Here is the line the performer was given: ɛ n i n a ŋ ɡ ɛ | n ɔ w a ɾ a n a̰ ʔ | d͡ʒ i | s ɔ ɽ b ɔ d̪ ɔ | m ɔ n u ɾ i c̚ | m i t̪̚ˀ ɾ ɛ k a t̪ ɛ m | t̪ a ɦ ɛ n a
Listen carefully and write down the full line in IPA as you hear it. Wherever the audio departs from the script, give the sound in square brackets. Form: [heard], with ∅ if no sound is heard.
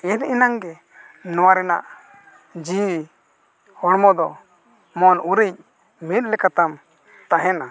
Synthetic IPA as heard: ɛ n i n a ŋ ɡ ɛ | n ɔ w a ɾ [ɛ] n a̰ ʔ | d͡ʒ i | [h] ɔ ɽ [m] ɔ d̪ ɔ | m ɔ n u ɾ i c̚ | m i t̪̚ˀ [l] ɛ k a t̪ [a] m | t̪ a ɦ ɛ n a